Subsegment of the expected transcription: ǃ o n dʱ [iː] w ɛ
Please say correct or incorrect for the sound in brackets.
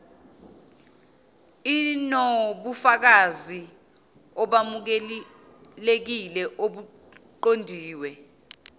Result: correct